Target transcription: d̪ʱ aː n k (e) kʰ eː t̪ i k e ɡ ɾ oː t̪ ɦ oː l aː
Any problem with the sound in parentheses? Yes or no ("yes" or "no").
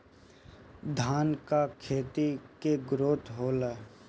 yes